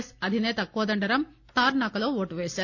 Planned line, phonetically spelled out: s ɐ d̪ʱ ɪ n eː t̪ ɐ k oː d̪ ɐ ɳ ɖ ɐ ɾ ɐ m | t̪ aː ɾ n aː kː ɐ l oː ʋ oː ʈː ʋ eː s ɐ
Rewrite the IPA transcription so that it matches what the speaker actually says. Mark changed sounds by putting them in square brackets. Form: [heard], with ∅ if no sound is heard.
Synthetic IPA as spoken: s ɐ d̪ʱ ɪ n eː t̪ ɐ k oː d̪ ɐ ɳ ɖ ɐ ɾ ɐ m | t̪ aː ɾ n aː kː ɐ l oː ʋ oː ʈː ʋ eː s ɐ